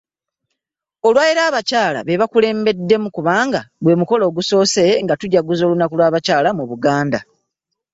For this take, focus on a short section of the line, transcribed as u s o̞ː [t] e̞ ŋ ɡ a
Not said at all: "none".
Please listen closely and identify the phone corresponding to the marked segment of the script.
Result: s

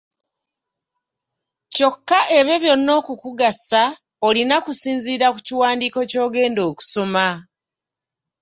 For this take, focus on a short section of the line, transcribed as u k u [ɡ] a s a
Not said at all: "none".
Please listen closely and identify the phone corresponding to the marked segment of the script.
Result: ɡ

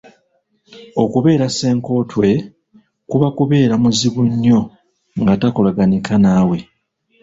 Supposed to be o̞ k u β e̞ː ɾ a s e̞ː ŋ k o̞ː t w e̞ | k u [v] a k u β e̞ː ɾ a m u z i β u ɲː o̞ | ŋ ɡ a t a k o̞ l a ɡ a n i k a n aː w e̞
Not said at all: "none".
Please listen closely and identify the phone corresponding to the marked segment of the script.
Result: β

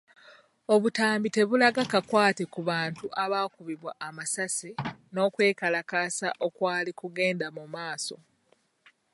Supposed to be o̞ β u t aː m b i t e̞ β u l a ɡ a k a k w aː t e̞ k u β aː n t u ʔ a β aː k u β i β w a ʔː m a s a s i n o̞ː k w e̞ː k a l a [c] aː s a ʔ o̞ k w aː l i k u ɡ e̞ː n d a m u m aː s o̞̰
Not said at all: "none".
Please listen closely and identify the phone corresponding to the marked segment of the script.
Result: k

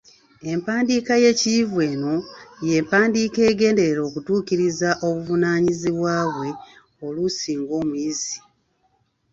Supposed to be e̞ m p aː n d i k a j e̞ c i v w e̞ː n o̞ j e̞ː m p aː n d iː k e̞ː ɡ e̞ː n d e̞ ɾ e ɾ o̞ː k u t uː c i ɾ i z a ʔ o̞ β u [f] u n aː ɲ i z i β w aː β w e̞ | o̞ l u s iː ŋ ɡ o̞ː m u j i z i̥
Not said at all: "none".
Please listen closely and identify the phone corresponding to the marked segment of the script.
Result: v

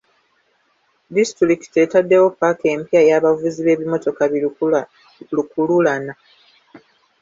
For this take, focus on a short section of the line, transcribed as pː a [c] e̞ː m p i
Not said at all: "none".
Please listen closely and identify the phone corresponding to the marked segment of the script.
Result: k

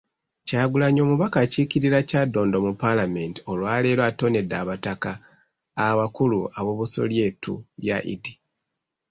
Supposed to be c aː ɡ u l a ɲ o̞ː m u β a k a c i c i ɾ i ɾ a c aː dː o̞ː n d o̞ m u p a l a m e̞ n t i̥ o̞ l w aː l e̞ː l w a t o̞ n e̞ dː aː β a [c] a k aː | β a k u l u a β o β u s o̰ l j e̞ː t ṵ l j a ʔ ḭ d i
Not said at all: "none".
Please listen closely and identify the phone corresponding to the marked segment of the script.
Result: t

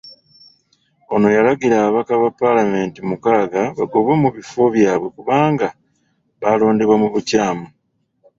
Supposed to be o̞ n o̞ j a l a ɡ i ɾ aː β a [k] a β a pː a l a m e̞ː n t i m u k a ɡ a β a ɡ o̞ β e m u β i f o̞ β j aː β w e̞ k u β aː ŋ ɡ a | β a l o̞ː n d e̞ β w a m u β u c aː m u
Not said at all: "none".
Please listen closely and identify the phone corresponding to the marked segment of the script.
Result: k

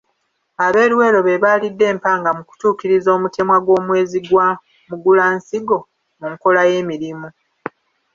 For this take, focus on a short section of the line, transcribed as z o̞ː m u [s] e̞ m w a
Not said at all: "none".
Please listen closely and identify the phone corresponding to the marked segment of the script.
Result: t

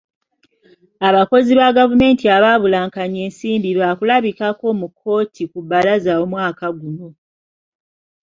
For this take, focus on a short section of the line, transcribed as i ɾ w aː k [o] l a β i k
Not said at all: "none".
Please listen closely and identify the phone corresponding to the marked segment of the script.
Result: u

